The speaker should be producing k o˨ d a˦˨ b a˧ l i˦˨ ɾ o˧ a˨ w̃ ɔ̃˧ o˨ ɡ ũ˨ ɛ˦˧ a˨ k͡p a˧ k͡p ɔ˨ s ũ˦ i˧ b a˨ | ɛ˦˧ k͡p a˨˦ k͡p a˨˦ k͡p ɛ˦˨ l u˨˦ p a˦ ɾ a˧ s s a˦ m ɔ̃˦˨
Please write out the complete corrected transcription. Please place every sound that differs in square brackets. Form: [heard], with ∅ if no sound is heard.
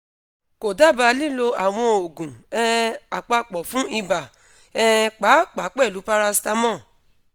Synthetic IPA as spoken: k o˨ d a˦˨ b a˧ l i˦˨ [l] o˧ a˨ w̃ ɔ̃˧ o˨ ɡ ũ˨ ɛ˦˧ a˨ k͡p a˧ k͡p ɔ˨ [f] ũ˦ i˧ b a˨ | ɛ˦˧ k͡p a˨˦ k͡p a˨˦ k͡p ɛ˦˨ l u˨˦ p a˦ ɾ a˧ s [t] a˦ m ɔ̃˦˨